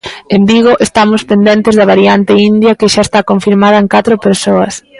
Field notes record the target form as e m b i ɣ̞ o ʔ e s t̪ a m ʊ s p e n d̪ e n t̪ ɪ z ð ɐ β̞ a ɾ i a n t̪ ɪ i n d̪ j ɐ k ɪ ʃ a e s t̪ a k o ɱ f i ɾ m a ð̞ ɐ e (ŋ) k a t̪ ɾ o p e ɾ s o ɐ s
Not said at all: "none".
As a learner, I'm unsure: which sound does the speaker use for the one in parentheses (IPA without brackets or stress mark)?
ŋ